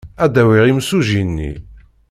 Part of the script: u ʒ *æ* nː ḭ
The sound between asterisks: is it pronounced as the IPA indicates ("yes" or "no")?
no